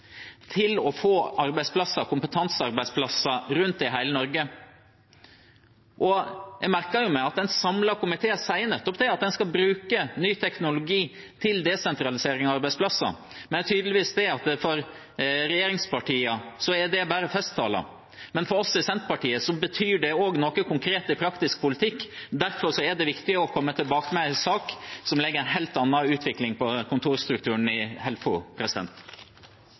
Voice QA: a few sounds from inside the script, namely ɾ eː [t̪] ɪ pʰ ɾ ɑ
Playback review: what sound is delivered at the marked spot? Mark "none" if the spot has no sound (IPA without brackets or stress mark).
t̪